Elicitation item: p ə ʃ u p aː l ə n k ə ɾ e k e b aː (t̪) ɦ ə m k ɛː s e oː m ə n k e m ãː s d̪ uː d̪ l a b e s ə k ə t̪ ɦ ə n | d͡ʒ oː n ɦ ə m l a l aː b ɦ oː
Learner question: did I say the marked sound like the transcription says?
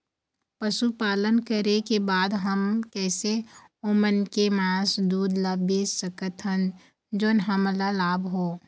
no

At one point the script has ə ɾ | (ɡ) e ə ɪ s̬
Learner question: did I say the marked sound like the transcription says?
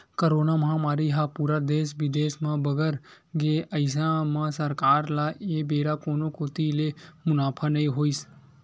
yes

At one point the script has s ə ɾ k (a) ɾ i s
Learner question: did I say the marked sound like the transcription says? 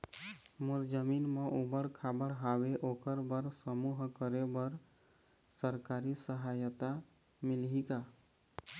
yes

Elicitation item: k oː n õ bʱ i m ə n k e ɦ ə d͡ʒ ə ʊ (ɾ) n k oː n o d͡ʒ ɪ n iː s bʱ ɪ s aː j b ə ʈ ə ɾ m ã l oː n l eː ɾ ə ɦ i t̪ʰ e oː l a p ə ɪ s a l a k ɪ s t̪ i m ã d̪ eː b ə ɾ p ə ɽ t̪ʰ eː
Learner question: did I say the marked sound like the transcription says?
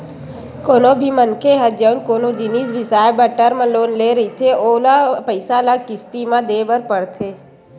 no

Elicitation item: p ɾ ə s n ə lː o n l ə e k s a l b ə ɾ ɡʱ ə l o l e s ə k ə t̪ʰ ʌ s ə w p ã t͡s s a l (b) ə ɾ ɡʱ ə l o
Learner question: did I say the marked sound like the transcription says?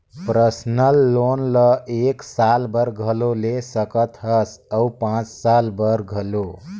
yes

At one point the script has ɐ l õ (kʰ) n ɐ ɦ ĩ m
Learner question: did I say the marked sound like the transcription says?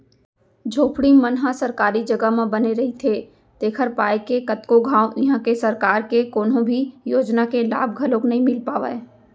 no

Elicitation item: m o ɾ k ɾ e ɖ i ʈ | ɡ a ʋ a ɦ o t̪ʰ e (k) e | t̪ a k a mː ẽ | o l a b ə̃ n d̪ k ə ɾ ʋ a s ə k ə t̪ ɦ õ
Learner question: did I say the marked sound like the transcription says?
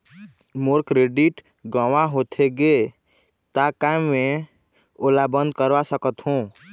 no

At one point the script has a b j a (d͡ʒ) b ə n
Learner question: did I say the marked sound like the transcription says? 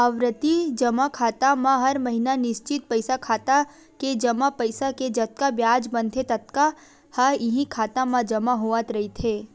yes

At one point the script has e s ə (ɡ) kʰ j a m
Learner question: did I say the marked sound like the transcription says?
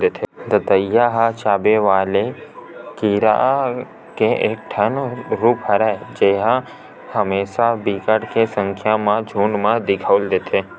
no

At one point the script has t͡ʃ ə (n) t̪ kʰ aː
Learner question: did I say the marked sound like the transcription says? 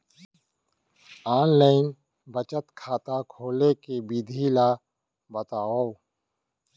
no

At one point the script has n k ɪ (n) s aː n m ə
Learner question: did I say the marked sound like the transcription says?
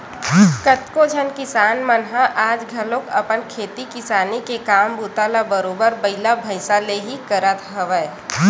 no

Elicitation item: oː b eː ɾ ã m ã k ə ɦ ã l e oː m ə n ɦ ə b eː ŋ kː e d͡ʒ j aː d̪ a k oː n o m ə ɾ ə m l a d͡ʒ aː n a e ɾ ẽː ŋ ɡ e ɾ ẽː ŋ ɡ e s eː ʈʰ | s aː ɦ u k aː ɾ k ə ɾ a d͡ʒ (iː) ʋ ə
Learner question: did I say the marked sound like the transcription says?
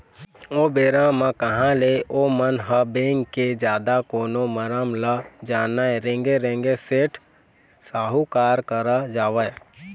no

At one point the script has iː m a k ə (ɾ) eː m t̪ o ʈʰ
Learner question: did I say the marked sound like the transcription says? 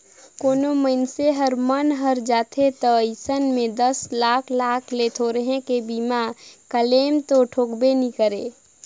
no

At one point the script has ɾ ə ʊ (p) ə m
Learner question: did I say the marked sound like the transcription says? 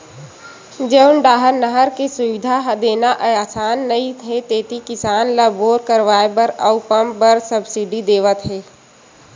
yes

